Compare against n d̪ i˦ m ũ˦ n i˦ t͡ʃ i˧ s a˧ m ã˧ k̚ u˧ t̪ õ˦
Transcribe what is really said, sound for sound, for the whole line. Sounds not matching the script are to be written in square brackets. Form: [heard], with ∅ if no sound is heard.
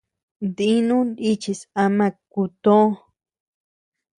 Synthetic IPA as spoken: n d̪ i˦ [n] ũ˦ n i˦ t͡ʃ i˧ s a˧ m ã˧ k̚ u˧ t̪ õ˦